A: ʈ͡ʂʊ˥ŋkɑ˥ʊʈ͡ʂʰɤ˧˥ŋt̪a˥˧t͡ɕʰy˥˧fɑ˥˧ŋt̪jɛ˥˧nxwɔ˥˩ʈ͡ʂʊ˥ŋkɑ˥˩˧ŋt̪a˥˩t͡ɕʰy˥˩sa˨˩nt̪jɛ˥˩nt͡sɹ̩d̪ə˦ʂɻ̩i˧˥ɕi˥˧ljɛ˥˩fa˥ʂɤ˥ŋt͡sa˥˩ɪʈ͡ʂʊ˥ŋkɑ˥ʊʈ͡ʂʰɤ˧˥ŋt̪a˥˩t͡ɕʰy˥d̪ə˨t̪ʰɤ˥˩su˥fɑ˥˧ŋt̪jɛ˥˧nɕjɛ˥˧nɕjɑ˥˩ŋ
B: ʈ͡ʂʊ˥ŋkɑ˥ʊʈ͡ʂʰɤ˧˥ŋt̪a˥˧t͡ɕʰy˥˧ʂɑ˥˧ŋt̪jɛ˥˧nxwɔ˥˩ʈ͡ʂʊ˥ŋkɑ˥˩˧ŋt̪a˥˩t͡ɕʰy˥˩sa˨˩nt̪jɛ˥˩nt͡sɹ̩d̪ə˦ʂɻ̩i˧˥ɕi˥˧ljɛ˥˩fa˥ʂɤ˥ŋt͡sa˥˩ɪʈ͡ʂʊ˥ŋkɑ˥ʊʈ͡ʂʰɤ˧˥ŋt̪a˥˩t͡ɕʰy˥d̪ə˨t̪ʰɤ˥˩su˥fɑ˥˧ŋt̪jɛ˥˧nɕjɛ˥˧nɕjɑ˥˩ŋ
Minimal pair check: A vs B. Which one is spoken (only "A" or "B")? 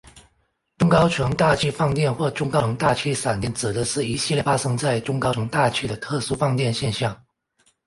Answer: A